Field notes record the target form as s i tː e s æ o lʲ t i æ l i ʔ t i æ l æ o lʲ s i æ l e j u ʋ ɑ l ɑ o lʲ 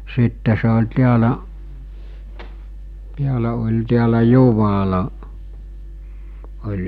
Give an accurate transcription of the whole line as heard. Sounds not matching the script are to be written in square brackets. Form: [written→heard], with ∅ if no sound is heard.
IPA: s i tː e s [æ→e] o lʲ t i æ l [i→æ] ʔ t i æ l æ o lʲ [s→t] i æ l [e→æ] j u ʋ ɑ l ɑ o lʲ